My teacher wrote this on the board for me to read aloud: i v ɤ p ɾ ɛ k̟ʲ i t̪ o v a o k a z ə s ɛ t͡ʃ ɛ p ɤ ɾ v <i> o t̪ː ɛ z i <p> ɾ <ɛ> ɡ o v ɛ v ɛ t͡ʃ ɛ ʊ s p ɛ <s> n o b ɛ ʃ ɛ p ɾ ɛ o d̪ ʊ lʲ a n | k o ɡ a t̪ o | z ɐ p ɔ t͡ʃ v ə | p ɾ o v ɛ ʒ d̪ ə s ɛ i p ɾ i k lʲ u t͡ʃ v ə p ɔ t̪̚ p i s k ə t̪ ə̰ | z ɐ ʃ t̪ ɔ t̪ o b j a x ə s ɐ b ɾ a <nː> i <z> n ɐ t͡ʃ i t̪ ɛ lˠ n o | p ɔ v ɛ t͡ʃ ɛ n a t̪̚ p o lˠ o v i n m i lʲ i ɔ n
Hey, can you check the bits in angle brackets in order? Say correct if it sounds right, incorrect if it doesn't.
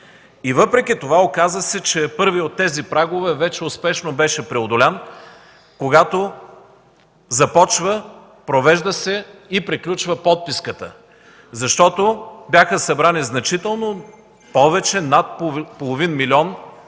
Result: correct, correct, incorrect: a, incorrect: ʃ, incorrect: n, correct

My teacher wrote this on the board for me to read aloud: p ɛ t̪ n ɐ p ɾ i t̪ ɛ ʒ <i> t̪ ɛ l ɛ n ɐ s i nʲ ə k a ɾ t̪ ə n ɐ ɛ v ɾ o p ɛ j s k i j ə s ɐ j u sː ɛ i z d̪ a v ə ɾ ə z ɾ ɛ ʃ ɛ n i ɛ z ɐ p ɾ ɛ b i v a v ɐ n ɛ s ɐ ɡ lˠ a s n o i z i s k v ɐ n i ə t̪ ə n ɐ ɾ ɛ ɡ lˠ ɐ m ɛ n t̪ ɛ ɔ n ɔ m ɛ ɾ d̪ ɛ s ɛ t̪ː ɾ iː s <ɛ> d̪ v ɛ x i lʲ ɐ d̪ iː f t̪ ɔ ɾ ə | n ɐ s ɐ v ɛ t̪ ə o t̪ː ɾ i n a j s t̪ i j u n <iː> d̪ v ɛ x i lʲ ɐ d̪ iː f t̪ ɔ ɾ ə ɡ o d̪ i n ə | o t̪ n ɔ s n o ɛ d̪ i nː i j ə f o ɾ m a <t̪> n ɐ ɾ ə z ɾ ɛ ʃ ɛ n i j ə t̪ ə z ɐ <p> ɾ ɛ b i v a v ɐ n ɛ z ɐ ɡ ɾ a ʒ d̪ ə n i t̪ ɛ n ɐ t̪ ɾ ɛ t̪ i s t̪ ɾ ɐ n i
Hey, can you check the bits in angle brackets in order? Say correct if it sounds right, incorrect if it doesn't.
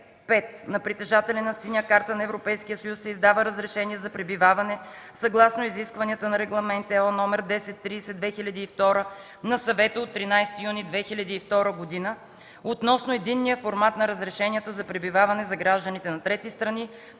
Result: incorrect: a, correct, incorrect: i, correct, correct

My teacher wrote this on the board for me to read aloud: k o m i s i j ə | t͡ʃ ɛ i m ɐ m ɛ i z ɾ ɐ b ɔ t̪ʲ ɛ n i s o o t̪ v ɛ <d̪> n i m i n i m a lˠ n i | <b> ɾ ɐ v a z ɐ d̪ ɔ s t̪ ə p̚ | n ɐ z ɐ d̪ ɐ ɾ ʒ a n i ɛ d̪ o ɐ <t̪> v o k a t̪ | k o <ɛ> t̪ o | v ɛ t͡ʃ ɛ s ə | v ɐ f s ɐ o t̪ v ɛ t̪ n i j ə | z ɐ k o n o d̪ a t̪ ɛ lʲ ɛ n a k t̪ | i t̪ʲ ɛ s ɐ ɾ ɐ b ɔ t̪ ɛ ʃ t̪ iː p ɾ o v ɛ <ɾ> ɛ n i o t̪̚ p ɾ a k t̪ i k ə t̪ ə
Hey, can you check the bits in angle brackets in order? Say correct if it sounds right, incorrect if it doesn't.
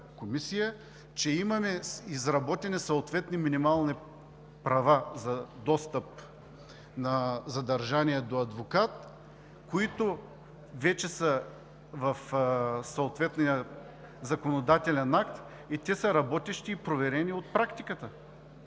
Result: incorrect: t̪, incorrect: p, incorrect: d̪, incorrect: i, correct

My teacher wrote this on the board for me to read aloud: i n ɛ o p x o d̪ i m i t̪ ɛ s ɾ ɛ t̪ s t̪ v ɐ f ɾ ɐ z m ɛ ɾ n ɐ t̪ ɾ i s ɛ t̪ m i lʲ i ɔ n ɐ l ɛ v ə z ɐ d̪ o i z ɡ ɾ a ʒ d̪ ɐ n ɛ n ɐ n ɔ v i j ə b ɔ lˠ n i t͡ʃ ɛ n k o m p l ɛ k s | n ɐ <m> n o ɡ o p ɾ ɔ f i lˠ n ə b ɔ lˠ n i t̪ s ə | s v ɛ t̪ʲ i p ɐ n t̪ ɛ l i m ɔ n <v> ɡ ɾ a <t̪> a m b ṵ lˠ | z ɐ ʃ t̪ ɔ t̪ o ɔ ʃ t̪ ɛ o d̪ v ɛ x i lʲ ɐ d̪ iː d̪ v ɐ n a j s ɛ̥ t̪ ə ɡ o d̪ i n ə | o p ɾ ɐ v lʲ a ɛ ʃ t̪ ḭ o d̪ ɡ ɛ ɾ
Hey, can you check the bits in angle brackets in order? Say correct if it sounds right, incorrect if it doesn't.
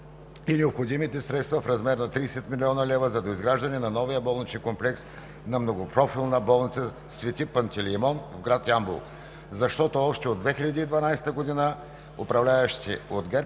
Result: correct, correct, correct

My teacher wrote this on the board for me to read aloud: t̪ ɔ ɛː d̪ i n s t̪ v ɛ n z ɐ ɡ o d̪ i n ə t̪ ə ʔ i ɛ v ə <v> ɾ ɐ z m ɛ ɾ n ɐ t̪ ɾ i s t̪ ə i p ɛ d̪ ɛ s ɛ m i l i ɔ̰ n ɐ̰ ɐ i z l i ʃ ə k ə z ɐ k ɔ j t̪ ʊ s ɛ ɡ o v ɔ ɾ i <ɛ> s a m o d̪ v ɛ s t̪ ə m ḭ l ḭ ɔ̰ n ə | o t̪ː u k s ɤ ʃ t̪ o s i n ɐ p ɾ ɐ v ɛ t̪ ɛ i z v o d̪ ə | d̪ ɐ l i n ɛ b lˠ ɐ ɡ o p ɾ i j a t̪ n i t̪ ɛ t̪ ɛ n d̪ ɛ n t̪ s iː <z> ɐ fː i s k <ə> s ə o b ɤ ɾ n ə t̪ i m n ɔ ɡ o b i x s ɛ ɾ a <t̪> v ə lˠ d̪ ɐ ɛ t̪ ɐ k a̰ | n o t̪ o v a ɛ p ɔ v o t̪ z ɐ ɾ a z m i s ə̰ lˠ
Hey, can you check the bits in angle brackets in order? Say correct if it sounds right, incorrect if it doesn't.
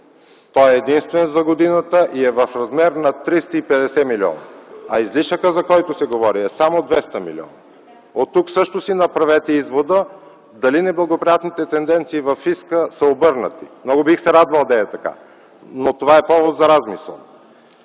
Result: incorrect: f, correct, incorrect: v, correct, incorrect: d̪

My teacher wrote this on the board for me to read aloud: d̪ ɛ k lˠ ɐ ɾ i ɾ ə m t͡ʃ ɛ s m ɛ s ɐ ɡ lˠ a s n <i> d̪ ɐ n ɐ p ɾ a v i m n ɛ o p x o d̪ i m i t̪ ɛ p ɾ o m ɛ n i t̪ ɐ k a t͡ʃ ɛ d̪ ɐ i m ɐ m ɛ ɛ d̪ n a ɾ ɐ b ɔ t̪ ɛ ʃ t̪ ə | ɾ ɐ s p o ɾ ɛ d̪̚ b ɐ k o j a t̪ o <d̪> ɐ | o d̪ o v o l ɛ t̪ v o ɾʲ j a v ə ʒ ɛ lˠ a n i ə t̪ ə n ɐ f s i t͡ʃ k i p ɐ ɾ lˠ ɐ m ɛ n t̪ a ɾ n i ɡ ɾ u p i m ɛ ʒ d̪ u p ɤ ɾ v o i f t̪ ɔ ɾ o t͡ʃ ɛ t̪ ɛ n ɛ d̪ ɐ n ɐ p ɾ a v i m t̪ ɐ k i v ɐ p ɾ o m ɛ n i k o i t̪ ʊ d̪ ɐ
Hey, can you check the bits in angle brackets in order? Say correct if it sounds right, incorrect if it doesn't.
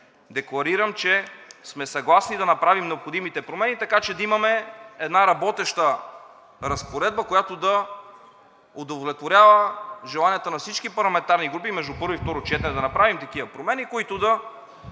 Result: correct, correct

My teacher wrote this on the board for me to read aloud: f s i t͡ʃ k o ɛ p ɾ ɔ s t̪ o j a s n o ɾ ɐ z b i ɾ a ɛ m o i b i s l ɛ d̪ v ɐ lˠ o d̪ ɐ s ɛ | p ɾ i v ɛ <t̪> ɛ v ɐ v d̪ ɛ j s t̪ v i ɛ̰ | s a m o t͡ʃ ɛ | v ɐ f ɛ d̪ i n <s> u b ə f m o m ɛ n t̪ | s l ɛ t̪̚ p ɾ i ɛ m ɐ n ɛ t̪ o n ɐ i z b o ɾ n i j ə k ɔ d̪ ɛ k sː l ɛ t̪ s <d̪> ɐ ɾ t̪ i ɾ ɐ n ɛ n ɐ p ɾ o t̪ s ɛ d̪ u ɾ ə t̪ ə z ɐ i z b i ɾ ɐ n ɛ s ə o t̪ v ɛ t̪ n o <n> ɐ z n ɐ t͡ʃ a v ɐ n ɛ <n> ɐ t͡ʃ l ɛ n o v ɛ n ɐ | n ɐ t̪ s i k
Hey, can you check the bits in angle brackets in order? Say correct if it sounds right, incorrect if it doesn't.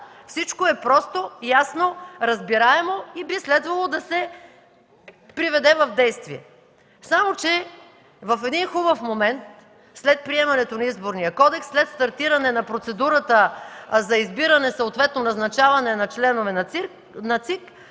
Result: incorrect: d̪, incorrect: x, incorrect: t̪, correct, correct

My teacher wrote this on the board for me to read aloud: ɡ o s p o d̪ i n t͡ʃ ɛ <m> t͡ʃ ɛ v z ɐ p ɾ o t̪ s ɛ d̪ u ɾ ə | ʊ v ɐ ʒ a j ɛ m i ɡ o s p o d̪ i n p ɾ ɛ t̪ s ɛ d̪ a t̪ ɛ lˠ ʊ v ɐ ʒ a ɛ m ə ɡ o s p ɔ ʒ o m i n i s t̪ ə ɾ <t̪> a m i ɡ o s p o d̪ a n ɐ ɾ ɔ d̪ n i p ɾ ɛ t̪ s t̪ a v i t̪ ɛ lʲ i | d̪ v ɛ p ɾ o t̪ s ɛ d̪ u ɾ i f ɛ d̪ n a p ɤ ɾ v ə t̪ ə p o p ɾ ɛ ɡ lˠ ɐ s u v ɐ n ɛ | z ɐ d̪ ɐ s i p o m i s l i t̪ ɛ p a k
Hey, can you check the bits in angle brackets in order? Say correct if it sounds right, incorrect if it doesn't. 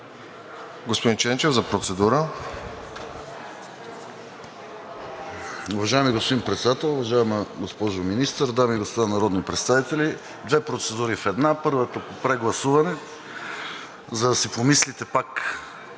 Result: incorrect: n, incorrect: d̪

